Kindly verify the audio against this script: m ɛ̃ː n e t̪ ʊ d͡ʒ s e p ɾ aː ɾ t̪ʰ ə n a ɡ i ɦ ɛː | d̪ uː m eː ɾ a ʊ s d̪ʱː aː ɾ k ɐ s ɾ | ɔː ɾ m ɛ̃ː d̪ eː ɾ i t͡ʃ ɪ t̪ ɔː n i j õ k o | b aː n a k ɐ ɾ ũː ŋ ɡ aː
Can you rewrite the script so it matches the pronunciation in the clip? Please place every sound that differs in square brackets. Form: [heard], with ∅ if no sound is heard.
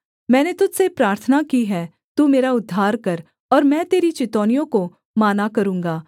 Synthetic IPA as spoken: m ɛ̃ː n e t̪ ʊ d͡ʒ s e p ɾ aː ɾ t̪ʰ ə n a [k] i ɦ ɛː | [t̪] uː m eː ɾ a ʊ [∅] d̪ʱː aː ɾ k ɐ [∅] ɾ | ɔː ɾ m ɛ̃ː [t̪] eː ɾ i t͡ʃ ɪ t̪ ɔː n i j õ k o | [m] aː n a k ɐ ɾ ũː ŋ ɡ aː